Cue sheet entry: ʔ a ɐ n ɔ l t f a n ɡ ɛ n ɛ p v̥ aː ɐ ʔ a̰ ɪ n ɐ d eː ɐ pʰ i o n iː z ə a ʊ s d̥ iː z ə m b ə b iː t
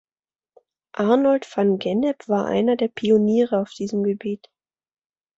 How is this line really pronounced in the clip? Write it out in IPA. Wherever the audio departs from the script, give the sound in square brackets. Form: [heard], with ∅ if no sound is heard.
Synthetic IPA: ʔ a ɐ n ɔ l t f a n ɡ ɛ n ɛ p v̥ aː ɐ ʔ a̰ ɪ n ɐ d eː ɐ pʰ i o n iː [ʁ] ə a ʊ [f] d̥ iː z ə m [ɡ] ə b iː t